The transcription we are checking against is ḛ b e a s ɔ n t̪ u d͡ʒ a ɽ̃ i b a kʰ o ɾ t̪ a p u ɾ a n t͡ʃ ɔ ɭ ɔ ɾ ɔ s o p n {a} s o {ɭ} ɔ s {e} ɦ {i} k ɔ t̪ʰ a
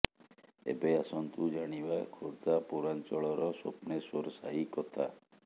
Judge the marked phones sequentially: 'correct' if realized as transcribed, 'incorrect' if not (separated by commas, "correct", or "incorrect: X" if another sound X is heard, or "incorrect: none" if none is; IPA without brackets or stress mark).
incorrect: e, incorrect: ɾ, incorrect: a, correct